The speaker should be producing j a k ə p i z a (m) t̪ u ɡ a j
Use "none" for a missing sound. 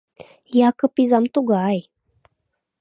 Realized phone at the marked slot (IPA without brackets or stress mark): m